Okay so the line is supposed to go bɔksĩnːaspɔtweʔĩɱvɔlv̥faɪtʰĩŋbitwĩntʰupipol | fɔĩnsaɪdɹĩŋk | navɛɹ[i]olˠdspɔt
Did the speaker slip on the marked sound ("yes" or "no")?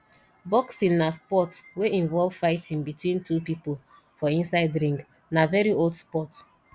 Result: no